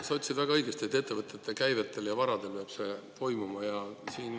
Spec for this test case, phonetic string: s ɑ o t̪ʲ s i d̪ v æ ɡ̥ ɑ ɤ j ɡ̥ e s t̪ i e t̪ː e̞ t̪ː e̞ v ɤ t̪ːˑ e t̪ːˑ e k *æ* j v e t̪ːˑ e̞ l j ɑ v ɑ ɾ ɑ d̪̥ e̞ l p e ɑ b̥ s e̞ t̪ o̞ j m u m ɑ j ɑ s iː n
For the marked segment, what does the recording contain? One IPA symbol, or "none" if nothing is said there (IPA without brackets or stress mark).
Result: æ